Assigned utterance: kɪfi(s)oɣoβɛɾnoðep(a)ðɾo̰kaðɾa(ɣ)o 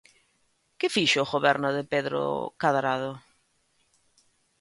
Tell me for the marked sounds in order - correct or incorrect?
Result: incorrect: ʃ, incorrect: e, incorrect: ð

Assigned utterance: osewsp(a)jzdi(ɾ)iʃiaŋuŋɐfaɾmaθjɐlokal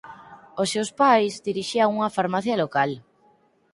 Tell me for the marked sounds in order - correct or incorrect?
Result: correct, correct

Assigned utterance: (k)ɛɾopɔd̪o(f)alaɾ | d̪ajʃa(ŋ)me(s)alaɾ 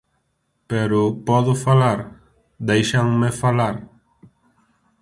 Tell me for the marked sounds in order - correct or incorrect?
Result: incorrect: p, correct, correct, incorrect: f

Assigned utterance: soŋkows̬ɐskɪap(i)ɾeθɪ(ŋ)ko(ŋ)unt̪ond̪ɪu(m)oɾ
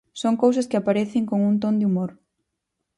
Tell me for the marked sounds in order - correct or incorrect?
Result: incorrect: a, correct, correct, correct

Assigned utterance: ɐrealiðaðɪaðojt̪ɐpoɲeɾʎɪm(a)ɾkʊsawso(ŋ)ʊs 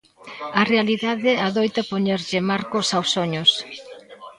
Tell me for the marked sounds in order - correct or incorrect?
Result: correct, incorrect: ɲ

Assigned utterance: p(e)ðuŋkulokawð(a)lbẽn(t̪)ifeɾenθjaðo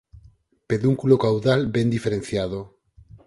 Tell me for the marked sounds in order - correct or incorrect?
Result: correct, correct, incorrect: d̪

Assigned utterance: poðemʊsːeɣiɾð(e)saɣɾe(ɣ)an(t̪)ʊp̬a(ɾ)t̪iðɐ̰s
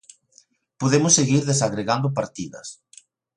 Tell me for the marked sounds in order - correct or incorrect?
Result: correct, correct, incorrect: d̪, correct

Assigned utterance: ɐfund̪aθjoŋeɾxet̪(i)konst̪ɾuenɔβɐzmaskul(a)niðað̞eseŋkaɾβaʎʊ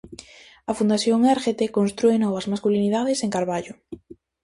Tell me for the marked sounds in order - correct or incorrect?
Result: incorrect: e, incorrect: i

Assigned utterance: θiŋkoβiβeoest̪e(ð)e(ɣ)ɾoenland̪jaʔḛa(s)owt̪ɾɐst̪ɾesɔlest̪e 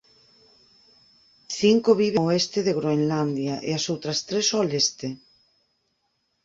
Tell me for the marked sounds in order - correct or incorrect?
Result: correct, correct, correct

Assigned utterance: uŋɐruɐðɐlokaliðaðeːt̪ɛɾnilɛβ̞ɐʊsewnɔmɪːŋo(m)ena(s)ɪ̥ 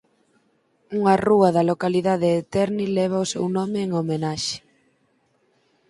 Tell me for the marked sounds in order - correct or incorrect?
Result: correct, incorrect: ʃ

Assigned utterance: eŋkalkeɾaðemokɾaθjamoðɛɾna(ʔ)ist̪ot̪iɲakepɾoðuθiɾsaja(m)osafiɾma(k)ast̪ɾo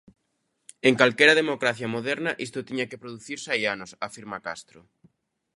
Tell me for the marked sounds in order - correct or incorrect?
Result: correct, incorrect: n, correct

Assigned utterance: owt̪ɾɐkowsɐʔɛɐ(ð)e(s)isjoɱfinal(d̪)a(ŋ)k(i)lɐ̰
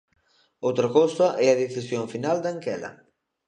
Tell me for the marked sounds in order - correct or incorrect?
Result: correct, incorrect: θ, correct, correct, incorrect: ɛ

